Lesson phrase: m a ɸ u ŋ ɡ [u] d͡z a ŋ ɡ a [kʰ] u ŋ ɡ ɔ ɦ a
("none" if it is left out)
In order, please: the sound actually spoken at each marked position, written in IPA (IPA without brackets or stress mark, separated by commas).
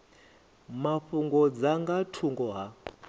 ɔ, tʰ